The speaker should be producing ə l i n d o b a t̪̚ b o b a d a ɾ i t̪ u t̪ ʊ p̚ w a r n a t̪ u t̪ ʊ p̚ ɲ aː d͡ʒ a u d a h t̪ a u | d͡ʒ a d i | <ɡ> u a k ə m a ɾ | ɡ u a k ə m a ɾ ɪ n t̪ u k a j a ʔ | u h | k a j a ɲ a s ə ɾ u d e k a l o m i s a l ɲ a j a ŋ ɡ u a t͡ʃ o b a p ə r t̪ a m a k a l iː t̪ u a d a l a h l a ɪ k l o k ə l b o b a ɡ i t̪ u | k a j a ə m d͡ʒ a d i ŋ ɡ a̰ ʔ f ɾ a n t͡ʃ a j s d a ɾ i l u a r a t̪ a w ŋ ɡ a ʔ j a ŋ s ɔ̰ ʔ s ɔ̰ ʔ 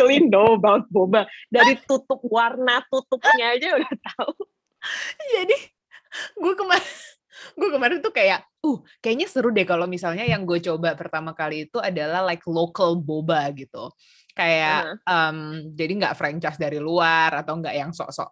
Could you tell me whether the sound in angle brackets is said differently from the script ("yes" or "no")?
no